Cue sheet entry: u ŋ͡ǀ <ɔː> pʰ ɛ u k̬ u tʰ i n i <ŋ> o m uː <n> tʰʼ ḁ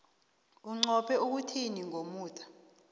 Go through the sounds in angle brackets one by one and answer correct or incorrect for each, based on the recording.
incorrect: ɔ, correct, incorrect: none

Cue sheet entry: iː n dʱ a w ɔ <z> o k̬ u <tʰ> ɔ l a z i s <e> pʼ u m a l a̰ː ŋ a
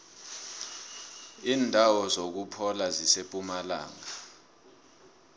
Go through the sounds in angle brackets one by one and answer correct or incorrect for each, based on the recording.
correct, incorrect: pʰ, correct

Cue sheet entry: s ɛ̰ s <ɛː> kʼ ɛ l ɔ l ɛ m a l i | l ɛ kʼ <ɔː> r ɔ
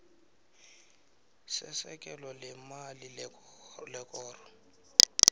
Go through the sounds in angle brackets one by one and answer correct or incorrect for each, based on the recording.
incorrect: ɛ, correct

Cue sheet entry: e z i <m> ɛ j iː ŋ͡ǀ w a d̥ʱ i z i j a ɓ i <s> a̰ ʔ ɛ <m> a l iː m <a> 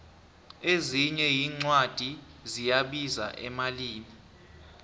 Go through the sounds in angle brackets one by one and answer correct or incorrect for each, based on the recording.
incorrect: ɲ, incorrect: z, correct, incorrect: i

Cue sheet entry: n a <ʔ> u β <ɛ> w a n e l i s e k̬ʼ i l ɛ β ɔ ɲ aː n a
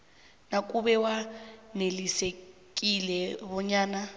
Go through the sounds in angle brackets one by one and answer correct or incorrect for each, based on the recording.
incorrect: k, correct

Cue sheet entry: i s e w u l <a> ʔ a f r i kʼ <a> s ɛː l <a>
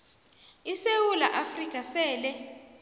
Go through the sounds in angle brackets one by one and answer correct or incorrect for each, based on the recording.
correct, correct, incorrect: ɛ

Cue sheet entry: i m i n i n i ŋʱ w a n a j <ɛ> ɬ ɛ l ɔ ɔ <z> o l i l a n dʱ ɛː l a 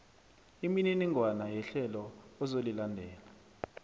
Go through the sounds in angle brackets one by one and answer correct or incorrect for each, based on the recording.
correct, correct

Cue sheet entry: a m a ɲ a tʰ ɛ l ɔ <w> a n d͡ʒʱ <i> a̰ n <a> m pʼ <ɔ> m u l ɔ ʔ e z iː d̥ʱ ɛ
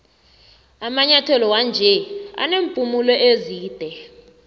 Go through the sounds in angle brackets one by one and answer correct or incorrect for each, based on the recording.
correct, incorrect: ɛ, incorrect: e, incorrect: u

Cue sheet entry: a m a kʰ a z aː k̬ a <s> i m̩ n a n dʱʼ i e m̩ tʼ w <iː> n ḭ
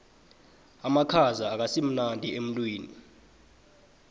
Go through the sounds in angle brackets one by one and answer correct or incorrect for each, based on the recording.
correct, correct

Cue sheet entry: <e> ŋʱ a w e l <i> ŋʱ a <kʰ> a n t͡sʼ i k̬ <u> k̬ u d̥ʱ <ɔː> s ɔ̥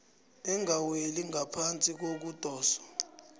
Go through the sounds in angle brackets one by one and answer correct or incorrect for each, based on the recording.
incorrect: ɛ, correct, incorrect: pʰ, incorrect: o, correct

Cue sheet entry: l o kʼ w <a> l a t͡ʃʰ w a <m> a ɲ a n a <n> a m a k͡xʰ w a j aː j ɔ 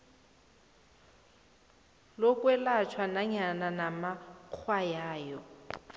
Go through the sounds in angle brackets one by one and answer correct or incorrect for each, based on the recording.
incorrect: ɛ, incorrect: n, correct

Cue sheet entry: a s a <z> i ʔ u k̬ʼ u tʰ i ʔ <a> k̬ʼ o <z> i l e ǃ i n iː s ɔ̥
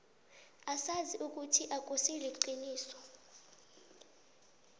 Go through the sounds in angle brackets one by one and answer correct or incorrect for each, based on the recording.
correct, correct, incorrect: s

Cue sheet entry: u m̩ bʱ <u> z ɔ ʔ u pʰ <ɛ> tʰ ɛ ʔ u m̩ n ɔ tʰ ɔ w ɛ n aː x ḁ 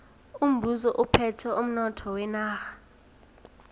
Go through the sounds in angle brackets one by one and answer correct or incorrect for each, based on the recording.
correct, correct

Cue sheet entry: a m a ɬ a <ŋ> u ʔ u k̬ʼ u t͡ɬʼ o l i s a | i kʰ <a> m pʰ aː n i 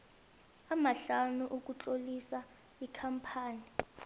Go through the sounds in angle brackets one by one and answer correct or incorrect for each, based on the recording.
incorrect: n, correct

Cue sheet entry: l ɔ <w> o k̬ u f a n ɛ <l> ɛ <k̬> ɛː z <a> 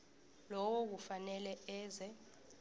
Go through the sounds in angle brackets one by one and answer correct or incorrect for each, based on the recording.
correct, correct, incorrect: none, incorrect: ɛ

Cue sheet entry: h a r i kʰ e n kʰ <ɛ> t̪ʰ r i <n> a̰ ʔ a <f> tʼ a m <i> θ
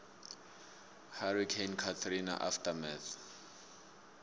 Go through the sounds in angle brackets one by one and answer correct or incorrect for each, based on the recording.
incorrect: a, correct, correct, incorrect: ɛ

